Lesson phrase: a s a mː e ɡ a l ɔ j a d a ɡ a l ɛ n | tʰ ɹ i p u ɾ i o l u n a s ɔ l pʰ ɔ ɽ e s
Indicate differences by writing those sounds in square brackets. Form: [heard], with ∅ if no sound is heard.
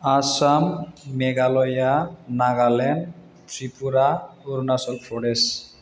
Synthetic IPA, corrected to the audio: a s a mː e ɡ a l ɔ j a [n] a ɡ a l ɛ n | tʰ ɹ i p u ɾ [a] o [ɾ] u n a s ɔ l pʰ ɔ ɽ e s

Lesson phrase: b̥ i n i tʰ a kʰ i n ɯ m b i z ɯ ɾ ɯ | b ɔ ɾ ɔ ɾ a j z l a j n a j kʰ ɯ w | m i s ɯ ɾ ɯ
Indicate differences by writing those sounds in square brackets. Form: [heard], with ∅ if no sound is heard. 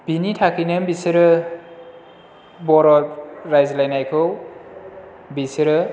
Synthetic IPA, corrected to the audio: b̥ i n i tʰ a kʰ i n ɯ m b i [s] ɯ ɾ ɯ | b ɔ ɾ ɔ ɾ a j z l a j n a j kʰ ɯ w | [b] i s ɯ ɾ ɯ

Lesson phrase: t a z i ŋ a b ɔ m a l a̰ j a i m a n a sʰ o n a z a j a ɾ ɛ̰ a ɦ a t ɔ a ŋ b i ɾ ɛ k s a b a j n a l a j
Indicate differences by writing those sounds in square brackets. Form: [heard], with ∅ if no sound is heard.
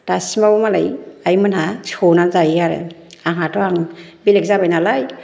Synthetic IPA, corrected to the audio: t a [s] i [m] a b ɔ m a l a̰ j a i m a n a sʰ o n a z a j a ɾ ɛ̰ a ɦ a t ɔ a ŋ b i [l] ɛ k [z] a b a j n a l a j

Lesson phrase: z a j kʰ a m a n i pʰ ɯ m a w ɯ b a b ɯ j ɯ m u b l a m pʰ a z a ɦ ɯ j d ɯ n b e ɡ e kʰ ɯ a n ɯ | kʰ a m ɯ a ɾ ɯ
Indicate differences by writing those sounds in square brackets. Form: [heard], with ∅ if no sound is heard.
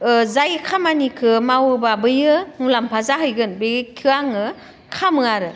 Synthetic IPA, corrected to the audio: z a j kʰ a m a n i [kʰ] ɯ m a w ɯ b a b ɯ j ɯ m u [∅] l a m pʰ a z a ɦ ɯ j [ɡ] ɯ n b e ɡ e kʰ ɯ a [ŋ] ɯ | kʰ a m ɯ a ɾ ɯ

